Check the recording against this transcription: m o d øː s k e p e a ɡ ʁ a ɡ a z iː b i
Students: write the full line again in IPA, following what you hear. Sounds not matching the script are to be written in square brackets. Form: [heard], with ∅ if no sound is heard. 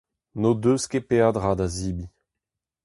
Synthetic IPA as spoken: [n] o d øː s k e p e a [d] ʁ a [d] a z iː b i